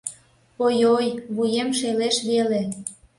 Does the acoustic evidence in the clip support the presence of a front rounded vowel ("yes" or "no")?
no